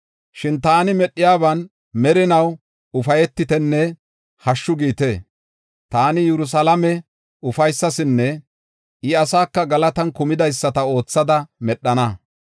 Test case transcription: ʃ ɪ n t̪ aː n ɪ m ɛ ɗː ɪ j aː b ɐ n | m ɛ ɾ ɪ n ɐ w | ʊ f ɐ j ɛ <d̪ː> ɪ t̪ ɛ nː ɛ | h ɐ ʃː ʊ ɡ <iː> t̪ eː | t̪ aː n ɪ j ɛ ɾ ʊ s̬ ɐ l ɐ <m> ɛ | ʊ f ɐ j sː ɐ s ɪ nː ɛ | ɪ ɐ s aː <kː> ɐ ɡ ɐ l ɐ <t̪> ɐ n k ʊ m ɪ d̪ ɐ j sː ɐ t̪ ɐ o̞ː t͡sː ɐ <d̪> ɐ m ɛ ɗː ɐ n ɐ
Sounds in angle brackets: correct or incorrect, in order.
incorrect, correct, correct, correct, correct, correct

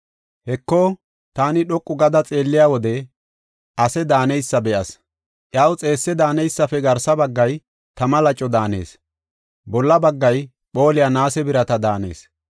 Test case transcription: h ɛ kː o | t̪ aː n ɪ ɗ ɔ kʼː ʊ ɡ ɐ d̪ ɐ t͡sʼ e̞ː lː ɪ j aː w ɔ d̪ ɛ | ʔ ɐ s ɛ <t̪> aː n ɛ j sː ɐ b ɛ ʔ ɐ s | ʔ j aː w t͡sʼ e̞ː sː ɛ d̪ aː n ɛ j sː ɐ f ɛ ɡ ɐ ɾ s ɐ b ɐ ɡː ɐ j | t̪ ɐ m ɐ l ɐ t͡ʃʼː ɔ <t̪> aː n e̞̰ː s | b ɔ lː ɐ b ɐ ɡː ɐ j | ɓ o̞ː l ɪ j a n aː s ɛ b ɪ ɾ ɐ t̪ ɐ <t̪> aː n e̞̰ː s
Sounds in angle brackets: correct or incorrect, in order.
incorrect, incorrect, incorrect

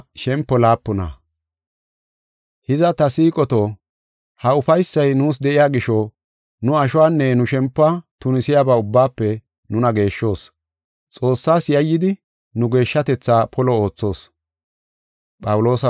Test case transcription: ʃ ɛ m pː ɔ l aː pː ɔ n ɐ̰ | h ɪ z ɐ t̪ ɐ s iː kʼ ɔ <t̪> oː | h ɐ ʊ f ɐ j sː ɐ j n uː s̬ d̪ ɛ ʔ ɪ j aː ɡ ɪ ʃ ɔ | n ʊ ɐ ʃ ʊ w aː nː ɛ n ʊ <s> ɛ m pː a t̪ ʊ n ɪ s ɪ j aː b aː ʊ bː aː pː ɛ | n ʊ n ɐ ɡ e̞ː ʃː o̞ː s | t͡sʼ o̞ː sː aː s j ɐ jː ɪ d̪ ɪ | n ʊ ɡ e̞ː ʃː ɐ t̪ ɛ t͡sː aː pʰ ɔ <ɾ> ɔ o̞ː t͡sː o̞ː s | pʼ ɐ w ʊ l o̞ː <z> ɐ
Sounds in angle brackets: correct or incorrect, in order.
correct, incorrect, incorrect, incorrect

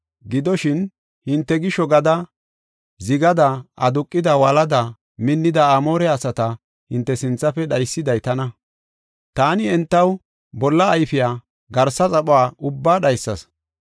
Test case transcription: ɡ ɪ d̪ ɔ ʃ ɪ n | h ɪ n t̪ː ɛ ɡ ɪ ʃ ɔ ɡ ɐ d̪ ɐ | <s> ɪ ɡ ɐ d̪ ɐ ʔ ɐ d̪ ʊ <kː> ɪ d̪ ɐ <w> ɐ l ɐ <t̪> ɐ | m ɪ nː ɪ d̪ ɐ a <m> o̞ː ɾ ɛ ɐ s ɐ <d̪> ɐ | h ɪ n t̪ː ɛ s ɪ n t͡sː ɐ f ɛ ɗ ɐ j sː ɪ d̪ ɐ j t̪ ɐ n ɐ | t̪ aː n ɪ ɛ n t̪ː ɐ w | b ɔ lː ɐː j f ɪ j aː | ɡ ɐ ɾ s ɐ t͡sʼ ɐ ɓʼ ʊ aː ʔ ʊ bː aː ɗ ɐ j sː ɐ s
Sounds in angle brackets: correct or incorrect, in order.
incorrect, incorrect, correct, incorrect, correct, incorrect

